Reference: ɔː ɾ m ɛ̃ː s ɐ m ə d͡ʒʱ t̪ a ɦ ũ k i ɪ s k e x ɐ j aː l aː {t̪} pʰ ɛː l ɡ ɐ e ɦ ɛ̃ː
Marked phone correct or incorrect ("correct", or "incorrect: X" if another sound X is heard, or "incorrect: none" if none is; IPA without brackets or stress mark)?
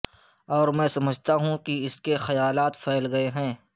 correct